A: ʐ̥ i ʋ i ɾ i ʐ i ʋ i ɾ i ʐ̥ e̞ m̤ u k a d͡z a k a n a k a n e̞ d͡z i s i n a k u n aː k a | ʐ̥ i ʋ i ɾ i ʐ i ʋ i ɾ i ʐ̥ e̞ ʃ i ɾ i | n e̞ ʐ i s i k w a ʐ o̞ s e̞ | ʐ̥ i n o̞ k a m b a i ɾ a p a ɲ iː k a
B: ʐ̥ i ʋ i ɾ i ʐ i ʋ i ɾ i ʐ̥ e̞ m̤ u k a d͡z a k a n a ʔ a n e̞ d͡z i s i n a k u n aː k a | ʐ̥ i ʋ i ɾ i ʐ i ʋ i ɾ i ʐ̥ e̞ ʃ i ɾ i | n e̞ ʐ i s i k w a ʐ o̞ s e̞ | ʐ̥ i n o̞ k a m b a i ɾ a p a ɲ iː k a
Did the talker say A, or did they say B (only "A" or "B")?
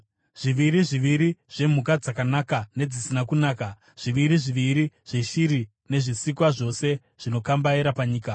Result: A